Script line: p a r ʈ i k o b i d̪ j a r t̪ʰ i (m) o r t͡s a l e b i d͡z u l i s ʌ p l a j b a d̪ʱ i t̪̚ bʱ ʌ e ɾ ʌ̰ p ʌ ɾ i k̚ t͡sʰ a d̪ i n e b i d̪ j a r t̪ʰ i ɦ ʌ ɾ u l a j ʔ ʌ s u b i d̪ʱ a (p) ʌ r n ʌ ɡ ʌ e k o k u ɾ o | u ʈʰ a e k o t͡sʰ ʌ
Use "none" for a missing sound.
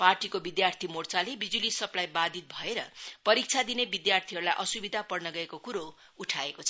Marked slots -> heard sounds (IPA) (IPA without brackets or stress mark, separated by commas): m, p